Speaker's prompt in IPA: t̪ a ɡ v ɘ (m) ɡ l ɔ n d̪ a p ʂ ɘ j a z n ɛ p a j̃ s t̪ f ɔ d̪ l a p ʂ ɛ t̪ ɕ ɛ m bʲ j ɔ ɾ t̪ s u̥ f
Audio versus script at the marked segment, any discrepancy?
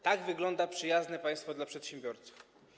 yes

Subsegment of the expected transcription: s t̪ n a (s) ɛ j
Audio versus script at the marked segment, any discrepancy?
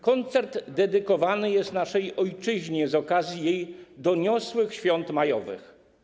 yes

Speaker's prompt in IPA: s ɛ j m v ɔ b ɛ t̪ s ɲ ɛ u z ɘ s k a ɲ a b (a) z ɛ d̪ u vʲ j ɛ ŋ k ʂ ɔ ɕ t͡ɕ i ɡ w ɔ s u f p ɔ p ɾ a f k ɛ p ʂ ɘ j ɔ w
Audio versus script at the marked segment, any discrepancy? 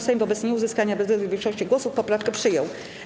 yes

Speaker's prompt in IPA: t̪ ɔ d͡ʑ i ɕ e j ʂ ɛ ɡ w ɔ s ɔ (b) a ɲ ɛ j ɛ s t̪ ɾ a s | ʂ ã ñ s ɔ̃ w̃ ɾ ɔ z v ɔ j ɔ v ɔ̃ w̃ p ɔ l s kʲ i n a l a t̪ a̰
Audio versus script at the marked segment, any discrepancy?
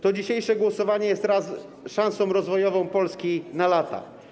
yes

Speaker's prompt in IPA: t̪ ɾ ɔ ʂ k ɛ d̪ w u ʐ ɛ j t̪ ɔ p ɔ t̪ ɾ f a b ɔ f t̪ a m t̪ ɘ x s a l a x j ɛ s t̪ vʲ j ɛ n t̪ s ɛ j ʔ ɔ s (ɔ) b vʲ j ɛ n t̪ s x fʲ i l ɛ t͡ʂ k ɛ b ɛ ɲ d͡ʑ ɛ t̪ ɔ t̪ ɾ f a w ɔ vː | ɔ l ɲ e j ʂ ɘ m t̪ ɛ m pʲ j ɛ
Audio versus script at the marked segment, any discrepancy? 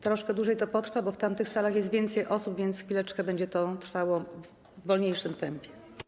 yes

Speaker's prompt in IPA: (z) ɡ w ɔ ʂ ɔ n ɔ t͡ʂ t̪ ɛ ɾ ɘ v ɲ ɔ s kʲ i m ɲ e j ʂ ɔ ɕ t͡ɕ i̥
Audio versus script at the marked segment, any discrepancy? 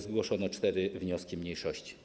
no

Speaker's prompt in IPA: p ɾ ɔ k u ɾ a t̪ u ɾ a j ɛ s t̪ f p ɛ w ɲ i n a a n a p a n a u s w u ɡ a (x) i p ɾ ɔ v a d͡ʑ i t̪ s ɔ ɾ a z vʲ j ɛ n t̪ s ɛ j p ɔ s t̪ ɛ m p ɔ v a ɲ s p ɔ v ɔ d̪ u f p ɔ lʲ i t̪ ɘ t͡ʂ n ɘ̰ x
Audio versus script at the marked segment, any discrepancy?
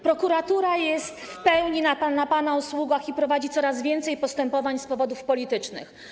no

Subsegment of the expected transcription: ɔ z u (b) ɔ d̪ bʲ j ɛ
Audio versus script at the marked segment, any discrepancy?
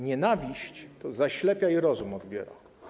yes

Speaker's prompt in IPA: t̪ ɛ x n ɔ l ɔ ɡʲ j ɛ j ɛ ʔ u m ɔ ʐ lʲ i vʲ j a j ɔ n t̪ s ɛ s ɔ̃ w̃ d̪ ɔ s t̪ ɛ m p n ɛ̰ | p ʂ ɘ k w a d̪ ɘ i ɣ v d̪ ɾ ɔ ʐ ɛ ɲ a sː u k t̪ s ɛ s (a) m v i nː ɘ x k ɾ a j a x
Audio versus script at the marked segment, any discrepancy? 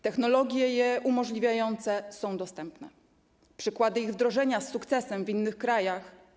yes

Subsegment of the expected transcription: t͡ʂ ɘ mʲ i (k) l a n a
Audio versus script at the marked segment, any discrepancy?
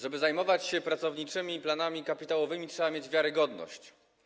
yes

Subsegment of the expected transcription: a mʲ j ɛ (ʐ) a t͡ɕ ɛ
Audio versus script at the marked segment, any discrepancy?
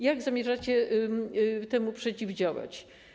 no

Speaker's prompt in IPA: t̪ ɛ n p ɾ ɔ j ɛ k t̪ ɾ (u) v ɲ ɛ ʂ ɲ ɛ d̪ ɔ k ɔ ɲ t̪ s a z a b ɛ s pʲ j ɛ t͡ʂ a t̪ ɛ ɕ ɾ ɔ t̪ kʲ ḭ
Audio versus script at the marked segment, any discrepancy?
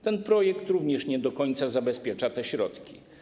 no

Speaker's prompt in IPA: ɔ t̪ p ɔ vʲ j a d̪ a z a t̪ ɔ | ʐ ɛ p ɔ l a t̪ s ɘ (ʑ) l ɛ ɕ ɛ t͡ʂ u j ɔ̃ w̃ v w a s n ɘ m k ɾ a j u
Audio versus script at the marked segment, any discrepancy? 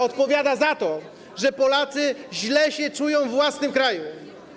no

